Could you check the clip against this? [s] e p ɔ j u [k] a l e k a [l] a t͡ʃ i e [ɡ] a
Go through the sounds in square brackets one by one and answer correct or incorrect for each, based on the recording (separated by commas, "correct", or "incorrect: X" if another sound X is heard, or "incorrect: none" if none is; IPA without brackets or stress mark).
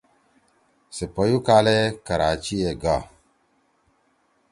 correct, correct, incorrect: ɾ, correct